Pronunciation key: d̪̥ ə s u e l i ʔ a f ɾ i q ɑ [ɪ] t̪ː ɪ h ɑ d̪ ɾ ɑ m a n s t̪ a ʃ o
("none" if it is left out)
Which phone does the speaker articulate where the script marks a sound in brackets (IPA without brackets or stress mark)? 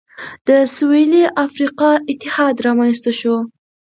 ɪ